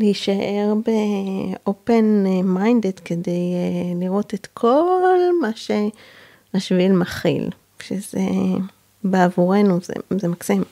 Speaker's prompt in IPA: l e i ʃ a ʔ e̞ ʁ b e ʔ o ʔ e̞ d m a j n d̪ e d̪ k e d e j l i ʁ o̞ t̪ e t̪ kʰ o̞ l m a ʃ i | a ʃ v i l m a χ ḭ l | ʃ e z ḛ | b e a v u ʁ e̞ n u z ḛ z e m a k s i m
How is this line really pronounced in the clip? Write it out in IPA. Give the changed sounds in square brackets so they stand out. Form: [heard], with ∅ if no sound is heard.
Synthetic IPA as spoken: l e i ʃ a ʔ e̞ ʁ b e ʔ o [p] e̞ [n] m a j n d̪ e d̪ k e d e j l i ʁ o̞ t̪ e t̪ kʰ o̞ l m a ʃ [e] | a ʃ v i l m a χ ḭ l | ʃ e z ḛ | b e a v u ʁ e̞ n u z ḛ z e m a k s i m